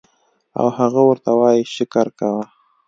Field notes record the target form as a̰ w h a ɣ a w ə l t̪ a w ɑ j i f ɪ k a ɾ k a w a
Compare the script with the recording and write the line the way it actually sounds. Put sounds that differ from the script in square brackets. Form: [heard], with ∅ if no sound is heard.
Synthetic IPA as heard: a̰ w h a ɣ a w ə [ɾ] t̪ a w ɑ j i [ʃ] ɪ k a ɾ k a w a